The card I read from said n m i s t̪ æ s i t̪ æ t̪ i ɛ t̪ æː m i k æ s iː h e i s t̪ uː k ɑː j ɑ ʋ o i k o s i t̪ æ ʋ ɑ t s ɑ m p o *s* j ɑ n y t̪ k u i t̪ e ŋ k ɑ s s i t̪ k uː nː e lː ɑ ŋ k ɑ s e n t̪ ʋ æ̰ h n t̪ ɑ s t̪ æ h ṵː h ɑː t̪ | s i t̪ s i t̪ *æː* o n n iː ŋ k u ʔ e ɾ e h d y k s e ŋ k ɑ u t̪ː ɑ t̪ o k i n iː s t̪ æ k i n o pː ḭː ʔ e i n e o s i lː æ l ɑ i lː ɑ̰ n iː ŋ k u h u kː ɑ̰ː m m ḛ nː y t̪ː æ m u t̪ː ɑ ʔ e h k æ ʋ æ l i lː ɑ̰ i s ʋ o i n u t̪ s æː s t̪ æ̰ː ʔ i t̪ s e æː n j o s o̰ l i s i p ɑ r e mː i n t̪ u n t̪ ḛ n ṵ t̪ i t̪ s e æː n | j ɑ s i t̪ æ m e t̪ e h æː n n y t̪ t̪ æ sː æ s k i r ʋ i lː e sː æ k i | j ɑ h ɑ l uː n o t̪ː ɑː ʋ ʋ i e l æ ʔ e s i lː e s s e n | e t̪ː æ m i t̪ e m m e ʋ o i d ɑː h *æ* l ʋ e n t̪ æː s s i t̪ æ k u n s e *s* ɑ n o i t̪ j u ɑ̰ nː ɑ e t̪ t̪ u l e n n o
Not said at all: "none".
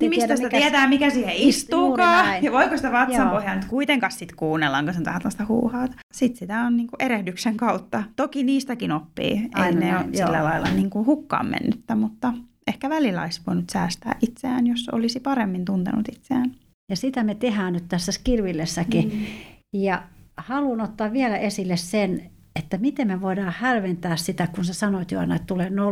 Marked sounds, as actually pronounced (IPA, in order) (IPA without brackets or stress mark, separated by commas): h, æ, æ, s